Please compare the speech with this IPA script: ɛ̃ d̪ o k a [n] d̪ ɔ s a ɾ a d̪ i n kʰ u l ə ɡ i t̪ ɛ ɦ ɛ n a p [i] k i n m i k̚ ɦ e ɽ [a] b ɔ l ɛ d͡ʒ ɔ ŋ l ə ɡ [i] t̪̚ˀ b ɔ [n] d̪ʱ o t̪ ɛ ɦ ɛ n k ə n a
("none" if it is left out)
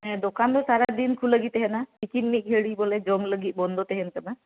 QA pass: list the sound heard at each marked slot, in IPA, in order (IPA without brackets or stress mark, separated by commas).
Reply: n, i, i, i, n